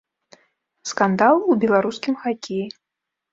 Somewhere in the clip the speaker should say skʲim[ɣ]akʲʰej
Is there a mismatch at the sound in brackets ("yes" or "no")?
yes